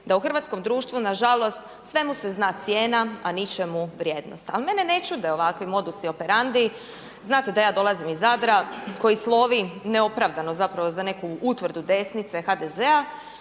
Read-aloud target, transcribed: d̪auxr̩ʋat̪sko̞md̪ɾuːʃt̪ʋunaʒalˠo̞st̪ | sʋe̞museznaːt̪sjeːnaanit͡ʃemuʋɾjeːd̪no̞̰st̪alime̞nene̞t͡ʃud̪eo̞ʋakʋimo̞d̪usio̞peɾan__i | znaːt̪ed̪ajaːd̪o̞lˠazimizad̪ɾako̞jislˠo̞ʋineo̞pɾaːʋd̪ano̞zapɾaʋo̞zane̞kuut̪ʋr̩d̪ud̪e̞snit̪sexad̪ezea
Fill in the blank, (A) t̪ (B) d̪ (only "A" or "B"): B